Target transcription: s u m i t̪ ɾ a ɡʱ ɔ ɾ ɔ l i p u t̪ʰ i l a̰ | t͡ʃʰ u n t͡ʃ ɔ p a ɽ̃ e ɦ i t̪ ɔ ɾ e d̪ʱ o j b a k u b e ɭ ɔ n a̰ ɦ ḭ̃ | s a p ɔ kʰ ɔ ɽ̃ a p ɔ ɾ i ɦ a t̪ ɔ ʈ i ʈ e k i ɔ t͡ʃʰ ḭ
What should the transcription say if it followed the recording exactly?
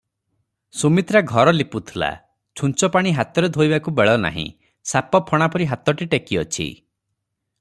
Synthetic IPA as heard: s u m i t̪ ɾ a ɡʱ ɔ ɾ ɔ l i p u t̪ʰ i l a̰ | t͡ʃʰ u n t͡ʃ ɔ p a ɽ̃ i ɦ a t̪ ɔ ɾ e d̪ʱ o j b a k u b e ɭ ɔ n a̰ ɦ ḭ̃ | s a p ɔ pʰ ɔ ɽ̃ a p ɔ ɾ i ɦ a t̪ ɔ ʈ i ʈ e k i ɔ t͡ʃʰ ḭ